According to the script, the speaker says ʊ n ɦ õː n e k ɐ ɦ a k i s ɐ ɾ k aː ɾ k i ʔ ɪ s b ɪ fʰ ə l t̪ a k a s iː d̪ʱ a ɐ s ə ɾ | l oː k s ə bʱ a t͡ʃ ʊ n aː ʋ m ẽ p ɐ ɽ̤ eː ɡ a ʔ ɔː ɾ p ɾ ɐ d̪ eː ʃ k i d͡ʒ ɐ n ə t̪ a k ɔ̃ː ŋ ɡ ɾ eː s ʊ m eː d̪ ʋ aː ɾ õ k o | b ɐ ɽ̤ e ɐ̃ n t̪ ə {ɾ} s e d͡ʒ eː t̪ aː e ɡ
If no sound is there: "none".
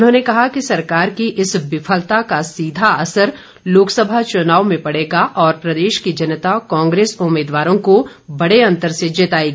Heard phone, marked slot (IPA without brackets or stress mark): ɾ